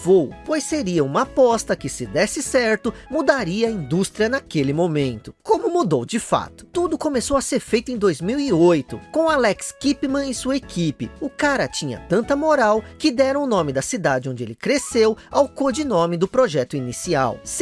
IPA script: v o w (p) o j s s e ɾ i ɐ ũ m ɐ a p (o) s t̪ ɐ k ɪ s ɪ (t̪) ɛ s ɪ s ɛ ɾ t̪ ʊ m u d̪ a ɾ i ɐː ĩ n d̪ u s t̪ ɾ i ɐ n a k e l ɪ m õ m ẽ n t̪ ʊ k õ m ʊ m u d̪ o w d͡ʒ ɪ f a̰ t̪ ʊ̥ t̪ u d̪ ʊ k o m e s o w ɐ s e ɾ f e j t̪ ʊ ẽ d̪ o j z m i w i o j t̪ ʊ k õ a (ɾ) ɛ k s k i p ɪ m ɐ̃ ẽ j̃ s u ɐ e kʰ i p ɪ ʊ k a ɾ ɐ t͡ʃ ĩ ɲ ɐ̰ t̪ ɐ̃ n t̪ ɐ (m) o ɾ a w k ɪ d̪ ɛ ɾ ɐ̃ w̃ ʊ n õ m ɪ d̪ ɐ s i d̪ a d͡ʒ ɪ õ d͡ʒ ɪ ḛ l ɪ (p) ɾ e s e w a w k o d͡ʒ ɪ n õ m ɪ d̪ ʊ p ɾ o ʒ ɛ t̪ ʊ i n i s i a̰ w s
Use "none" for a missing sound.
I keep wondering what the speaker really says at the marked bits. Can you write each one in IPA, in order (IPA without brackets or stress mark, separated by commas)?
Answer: p, ɔ, d̪, l, m, k